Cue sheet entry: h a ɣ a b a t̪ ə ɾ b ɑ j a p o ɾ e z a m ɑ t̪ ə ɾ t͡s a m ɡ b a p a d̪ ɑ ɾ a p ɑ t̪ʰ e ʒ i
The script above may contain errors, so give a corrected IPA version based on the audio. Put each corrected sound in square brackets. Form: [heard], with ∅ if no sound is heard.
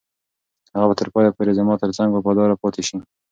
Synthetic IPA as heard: h a ɣ a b a t̪ ə ɾ [p] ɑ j a p o ɾ e z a m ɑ t̪ ə ɾ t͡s a [ŋ] ɡ b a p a d̪ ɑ ɾ a p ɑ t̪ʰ e [ʃ] i